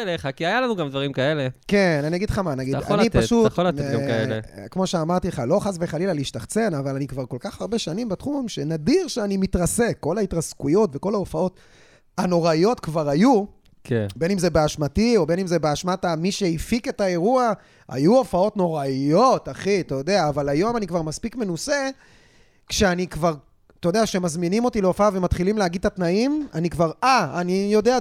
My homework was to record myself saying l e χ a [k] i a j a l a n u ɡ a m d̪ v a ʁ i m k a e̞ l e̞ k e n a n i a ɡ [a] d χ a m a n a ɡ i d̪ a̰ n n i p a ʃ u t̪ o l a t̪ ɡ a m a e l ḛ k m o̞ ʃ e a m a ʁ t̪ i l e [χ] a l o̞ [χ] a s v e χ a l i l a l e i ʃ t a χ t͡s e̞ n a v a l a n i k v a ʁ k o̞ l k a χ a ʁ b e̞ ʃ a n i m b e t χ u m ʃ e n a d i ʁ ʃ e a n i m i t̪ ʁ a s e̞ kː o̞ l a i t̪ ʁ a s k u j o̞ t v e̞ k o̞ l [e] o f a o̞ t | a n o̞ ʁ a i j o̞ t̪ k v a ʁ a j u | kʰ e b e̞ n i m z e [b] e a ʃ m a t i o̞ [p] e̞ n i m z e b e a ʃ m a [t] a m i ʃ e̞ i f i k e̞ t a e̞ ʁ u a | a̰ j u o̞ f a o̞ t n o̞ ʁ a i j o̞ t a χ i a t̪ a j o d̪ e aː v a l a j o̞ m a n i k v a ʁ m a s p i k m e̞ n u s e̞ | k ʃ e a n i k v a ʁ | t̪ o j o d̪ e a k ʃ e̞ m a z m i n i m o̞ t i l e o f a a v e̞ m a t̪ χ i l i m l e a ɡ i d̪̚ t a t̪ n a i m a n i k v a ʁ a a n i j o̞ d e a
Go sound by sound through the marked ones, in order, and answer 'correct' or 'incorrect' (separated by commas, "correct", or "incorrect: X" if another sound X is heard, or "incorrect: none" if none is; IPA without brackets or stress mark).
correct, incorrect: i, correct, correct, incorrect: a, correct, incorrect: b, correct